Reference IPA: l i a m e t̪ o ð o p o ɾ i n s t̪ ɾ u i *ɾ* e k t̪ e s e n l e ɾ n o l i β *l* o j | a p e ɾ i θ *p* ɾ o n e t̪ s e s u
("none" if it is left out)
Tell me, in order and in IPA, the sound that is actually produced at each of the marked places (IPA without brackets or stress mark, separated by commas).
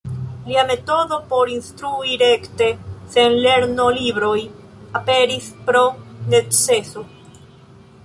ɾ, ɾ, p